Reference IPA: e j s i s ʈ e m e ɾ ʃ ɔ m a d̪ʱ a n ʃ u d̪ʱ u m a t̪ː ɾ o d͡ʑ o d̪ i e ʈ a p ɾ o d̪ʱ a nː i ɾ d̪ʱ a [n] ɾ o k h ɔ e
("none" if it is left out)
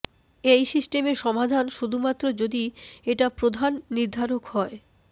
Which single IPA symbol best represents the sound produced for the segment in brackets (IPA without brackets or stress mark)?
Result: none